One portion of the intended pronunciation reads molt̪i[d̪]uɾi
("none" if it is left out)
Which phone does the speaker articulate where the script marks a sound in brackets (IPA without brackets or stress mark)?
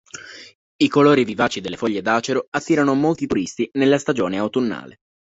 t̪